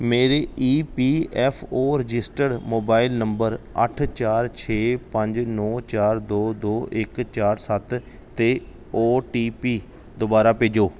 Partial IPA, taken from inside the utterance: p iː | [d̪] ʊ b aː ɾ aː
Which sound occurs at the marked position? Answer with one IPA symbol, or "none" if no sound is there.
d̪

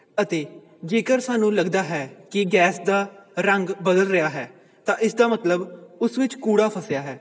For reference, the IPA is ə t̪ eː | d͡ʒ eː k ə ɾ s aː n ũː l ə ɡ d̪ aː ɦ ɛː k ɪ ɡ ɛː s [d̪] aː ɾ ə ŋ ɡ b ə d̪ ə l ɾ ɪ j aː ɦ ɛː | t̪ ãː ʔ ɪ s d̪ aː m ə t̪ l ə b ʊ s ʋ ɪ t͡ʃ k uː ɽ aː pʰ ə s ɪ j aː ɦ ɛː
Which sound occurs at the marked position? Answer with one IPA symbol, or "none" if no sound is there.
d̪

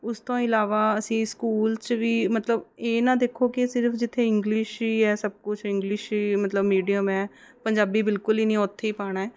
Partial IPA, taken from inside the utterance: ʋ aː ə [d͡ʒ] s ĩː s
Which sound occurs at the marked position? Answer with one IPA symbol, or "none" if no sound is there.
none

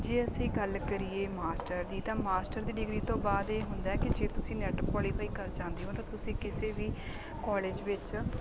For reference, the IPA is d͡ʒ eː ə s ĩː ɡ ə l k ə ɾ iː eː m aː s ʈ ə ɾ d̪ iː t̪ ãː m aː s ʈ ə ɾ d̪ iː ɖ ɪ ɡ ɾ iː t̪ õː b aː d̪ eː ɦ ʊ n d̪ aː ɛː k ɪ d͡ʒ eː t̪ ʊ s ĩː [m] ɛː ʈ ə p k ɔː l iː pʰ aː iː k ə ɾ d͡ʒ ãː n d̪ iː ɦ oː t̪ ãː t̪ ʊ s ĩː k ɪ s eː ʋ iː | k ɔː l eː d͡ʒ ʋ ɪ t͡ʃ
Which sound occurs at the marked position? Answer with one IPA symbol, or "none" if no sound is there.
n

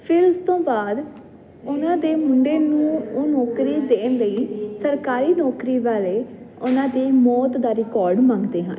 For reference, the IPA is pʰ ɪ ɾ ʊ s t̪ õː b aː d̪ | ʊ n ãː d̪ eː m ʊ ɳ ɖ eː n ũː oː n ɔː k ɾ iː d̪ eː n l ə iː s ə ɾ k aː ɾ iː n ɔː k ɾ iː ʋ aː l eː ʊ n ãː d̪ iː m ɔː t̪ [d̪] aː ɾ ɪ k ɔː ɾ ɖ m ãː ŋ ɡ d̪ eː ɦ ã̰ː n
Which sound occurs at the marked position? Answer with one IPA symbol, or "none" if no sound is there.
d̪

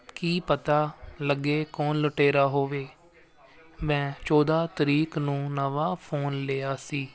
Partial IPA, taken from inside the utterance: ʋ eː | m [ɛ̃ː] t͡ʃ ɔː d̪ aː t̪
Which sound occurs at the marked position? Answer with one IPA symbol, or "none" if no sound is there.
ɛ̃ː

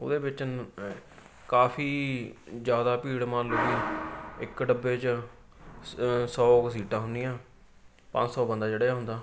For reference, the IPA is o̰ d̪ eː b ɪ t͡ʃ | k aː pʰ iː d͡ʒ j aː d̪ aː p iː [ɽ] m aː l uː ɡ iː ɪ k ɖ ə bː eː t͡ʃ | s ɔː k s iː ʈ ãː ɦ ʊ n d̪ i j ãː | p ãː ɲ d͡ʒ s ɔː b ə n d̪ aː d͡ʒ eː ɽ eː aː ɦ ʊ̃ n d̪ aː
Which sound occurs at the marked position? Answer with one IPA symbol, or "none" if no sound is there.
ɽ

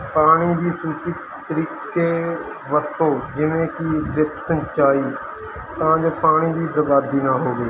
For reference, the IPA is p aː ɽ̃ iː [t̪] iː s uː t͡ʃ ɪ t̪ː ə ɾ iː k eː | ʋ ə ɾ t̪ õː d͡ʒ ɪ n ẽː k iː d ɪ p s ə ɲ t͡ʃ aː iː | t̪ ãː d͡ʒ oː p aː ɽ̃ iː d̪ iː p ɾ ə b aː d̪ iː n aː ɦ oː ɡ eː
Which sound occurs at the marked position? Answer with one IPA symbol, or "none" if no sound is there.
d̪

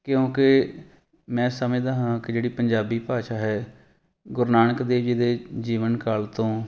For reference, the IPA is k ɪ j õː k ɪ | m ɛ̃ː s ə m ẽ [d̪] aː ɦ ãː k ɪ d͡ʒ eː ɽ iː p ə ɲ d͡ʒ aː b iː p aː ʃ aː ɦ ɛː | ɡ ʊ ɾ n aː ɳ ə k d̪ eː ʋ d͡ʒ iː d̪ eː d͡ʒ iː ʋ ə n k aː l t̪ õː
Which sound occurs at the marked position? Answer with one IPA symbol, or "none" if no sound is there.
d̪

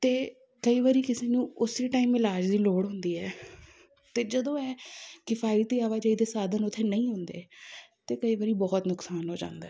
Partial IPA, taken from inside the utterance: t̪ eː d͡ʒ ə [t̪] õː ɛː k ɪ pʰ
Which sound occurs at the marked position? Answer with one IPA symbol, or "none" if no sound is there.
d̪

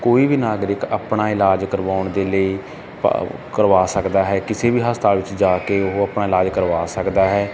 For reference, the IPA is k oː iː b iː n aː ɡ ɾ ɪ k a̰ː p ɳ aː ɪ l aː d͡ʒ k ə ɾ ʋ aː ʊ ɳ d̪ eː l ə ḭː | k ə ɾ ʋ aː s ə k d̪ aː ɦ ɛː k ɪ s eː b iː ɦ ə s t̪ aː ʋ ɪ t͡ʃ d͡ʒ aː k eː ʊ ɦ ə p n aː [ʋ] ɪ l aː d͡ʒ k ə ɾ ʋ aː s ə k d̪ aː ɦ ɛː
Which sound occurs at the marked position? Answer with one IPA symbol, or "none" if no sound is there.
none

